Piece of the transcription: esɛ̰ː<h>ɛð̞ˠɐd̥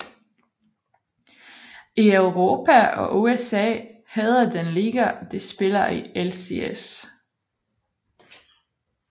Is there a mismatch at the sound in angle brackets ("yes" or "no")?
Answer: no